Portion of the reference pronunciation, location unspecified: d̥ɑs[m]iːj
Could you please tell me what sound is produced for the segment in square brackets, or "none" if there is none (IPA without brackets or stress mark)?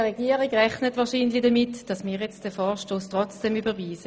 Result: m